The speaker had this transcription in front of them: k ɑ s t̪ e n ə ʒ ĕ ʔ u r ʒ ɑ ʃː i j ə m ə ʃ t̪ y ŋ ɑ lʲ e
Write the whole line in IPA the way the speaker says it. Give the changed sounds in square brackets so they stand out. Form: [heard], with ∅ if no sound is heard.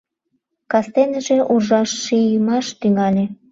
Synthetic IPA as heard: k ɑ s t̪ e n ə ʒ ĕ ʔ u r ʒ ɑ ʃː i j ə m [ɑ] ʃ t̪ y ŋ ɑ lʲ e